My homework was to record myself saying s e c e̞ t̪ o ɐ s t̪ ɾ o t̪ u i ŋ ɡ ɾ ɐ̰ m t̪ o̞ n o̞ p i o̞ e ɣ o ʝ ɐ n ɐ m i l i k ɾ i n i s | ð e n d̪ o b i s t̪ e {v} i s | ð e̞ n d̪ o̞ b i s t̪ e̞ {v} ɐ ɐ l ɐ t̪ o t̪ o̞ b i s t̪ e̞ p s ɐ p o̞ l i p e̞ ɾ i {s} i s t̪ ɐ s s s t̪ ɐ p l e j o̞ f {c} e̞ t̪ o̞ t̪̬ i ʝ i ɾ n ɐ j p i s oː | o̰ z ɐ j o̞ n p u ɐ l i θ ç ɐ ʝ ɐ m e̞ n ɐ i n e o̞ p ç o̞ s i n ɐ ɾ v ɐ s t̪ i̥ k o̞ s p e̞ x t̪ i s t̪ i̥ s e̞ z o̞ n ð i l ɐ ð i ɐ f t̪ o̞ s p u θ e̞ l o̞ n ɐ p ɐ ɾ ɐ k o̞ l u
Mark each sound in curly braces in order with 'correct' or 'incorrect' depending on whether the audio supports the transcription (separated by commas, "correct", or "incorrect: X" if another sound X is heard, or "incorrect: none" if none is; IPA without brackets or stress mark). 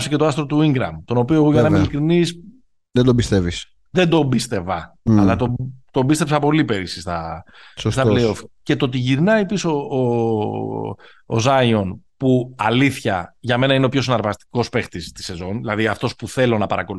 correct, correct, correct, correct